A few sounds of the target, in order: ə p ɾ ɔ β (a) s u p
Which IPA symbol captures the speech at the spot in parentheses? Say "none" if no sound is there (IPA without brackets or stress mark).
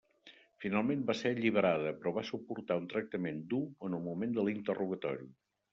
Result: a